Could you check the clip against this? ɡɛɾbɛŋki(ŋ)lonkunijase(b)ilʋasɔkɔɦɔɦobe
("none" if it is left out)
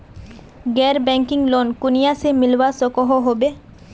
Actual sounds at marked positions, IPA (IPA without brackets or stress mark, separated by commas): ŋ, m